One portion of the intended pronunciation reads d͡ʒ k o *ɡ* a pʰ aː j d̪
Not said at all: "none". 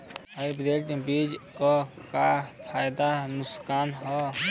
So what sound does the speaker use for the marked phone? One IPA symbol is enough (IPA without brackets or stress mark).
k